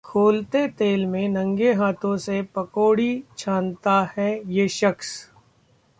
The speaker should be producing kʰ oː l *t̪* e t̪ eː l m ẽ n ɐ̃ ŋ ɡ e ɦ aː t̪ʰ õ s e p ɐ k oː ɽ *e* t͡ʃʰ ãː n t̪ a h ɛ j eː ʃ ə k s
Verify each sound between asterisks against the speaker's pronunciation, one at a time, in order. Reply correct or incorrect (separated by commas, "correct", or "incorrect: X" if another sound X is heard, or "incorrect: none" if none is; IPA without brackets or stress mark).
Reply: correct, incorrect: i